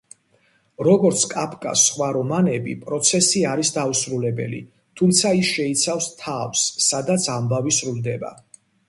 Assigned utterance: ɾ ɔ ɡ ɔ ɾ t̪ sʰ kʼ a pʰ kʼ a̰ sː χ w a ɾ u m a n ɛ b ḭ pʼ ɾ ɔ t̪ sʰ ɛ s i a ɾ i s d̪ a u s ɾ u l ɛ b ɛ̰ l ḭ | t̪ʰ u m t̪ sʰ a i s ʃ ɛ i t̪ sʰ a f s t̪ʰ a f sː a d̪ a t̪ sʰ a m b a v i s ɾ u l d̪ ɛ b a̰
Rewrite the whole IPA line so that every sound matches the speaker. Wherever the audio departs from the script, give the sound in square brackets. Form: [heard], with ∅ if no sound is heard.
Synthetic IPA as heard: ɾ ɔ ɡ ɔ ɾ t̪ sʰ kʼ a pʰ kʼ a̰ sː χ w a ɾ [ɔ] m a n ɛ b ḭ pʼ ɾ ɔ t̪ sʰ ɛ s i a ɾ i s d̪ a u s ɾ u l ɛ b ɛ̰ l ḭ | t̪ʰ u m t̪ sʰ a i s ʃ ɛ i t̪ sʰ a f s t̪ʰ a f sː a d̪ a t̪ sʰ a m b a v i s ɾ u l d̪ ɛ b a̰

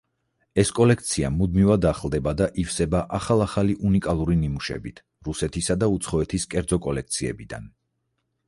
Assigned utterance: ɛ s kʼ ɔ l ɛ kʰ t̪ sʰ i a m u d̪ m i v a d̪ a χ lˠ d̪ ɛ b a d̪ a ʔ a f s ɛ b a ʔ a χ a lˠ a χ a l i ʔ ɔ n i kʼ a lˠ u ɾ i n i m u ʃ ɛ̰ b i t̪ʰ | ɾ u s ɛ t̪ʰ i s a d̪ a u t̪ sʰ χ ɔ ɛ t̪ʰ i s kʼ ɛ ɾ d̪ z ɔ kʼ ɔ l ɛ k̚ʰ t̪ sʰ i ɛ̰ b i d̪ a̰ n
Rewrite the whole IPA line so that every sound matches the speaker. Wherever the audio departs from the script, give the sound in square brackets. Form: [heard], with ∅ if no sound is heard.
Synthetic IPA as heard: ɛ s kʼ ɔ l ɛ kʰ t̪ sʰ i a m u d̪ m i v a d̪ a χ lˠ d̪ ɛ b a d̪ a ʔ [i] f s ɛ b a ʔ a χ a lˠ a χ a l i ʔ [u] n i kʼ a lˠ u ɾ i n i m u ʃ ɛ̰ b i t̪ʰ | ɾ u s ɛ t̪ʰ i s a d̪ a u t̪ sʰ χ ɔ ɛ t̪ʰ i s kʼ ɛ ɾ d̪ z ɔ kʼ ɔ l ɛ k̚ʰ t̪ sʰ i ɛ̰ b i d̪ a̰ n

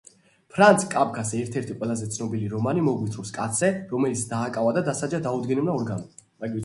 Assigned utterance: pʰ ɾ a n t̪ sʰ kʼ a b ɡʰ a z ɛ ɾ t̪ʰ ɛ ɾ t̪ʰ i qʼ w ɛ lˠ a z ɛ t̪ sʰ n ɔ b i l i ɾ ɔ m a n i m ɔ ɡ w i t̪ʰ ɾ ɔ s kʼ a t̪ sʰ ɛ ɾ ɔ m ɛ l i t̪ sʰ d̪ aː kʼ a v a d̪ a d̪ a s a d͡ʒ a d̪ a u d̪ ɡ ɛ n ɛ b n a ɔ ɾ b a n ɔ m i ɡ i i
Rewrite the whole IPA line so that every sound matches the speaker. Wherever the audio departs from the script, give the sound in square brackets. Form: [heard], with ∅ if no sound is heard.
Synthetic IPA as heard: pʰ ɾ a n t̪ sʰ kʼ a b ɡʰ a [s] ɛ ɾ t̪ʰ ɛ ɾ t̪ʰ i qʼ w ɛ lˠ a z ɛ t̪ sʰ n ɔ b i l i ɾ ɔ m a n i m ɔ ɡ w i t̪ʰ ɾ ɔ s kʼ a t̪ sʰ ɛ ɾ ɔ m ɛ l i t̪ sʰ d̪ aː kʼ a v a d̪ a d̪ a s a d͡ʒ a d̪ a u d̪ ɡ ɛ n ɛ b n a ɔ ɾ [ɡ] a n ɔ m [a] ɡ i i

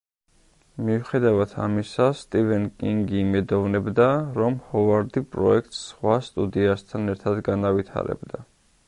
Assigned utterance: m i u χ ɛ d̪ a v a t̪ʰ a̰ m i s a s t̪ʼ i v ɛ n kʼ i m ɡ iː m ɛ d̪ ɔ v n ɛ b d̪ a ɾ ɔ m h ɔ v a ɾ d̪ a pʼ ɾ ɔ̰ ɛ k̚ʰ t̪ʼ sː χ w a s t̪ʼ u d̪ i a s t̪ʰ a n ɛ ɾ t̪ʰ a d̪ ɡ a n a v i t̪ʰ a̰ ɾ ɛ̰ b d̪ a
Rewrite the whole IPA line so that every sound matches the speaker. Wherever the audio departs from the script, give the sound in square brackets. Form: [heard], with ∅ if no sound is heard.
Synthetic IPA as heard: m i u χ ɛ d̪ a v a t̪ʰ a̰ m i s a s t̪ʼ i v ɛ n kʼ i [ŋ] ɡ iː m ɛ d̪ ɔ v n ɛ b d̪ a ɾ ɔ m h ɔ v a ɾ d̪ [i] pʼ ɾ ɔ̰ ɛ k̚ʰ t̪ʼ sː χ w a s t̪ʼ u d̪ i a s t̪ʰ a n ɛ ɾ t̪ʰ a d̪ ɡ a n a v i t̪ʰ a̰ ɾ ɛ̰ b d̪ a

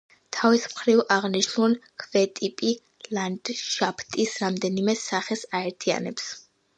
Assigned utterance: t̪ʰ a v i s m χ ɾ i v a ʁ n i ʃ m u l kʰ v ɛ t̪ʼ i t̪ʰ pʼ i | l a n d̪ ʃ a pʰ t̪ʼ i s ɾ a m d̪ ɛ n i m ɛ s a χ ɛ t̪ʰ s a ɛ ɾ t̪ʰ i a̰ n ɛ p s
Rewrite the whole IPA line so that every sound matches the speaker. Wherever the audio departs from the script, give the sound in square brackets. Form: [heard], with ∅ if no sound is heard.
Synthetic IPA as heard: t̪ʰ a v i s m χ ɾ i v a ʁ n i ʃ [n] u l kʰ v ɛ t̪ʼ i [∅] pʼ i | l a n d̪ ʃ a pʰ t̪ʼ i s ɾ a m d̪ ɛ n i m ɛ s a χ ɛ [∅] s a ɛ ɾ t̪ʰ i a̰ n ɛ p s

